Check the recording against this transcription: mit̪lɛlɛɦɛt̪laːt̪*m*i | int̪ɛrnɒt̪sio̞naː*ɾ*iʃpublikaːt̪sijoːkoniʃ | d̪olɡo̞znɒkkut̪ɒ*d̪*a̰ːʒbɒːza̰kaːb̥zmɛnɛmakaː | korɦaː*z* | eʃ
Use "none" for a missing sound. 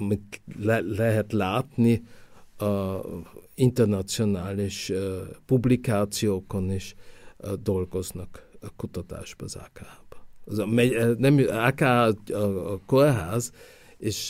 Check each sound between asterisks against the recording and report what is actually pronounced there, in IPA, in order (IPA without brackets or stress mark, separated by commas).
n, l, t̪, z